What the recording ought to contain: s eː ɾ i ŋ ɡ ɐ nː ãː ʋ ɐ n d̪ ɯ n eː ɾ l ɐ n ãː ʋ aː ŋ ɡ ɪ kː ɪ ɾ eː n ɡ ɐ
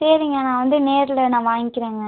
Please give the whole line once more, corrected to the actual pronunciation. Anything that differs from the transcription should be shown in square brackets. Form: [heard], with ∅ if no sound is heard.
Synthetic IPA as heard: s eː ɾ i ŋ ɡ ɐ [n] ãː ʋ ɐ n d̪ ɯ n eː ɾ l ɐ n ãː ʋ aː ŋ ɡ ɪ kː ɪ ɾ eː [ŋ] ɡ ɐ